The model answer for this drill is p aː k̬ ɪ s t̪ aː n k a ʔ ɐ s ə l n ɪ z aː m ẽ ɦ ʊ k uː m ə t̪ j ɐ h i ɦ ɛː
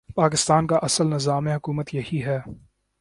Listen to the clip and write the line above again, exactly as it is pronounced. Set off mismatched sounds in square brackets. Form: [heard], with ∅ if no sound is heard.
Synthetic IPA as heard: p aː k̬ ɪ s t̪ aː n k a ʔ ɐ s ə l n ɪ z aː m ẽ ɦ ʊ k uː m ə t̪ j ɐ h i ɦ ɛː